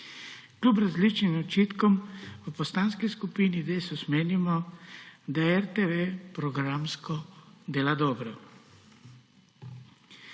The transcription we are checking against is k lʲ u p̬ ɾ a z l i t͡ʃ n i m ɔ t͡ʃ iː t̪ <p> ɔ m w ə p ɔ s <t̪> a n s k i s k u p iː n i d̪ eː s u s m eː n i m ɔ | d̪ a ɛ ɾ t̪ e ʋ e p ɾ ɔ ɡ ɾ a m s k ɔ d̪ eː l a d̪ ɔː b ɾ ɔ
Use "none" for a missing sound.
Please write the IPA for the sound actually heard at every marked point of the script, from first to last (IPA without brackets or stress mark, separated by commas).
k, t̪